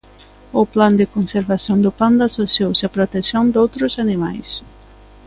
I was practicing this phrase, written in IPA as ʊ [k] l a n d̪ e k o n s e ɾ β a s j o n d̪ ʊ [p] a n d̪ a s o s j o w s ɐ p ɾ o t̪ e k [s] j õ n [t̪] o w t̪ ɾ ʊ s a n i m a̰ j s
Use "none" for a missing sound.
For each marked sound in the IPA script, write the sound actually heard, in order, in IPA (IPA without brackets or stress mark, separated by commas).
p, p, s, d̪